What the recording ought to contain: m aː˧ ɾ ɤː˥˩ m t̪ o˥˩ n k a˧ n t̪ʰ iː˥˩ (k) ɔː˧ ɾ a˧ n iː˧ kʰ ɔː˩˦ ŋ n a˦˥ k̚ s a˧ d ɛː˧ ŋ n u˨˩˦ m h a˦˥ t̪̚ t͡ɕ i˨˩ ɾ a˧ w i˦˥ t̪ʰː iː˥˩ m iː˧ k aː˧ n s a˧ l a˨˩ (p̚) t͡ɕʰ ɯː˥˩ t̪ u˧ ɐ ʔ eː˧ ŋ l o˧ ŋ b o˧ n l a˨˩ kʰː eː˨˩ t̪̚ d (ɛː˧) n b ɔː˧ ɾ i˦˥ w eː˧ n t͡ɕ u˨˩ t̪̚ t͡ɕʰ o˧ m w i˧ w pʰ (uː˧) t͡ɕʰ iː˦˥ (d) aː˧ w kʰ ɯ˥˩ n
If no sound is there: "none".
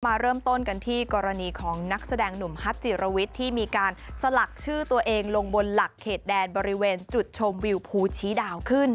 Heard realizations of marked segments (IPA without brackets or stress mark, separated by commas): k, k̚, ɛː˧, uː˧, d